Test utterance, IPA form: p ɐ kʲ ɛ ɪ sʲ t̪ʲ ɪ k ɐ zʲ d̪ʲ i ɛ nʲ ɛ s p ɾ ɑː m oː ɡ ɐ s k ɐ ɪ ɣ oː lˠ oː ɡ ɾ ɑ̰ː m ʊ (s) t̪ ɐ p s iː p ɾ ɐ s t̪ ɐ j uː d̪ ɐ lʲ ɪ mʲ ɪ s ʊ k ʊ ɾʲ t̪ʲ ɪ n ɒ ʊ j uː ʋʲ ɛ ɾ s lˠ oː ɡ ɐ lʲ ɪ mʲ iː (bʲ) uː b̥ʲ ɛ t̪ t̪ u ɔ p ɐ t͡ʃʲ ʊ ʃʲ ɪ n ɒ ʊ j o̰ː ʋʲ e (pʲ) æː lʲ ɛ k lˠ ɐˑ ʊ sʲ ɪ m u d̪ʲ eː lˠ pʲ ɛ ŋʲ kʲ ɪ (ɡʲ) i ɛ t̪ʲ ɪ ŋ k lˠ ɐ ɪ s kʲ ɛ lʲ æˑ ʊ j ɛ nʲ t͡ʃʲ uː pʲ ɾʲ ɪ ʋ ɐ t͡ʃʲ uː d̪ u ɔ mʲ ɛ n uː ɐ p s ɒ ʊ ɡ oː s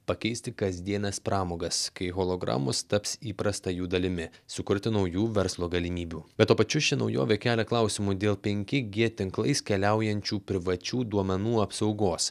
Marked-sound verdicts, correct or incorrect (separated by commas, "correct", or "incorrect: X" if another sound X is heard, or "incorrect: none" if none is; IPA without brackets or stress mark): correct, correct, incorrect: kʲ, correct